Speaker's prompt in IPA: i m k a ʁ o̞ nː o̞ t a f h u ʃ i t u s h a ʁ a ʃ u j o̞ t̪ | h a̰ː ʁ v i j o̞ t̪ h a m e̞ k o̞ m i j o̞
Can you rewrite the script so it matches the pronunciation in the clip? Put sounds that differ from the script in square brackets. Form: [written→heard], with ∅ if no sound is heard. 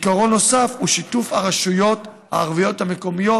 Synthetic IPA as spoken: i [m→∅] k a ʁ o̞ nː o̞ [t→s] a f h u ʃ i t u [s→f] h a ʁ a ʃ u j o̞ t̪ | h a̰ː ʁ v i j o̞ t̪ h a m e̞ k o̞ m i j o̞